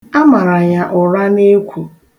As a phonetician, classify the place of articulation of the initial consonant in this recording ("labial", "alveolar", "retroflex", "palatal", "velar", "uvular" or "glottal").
labial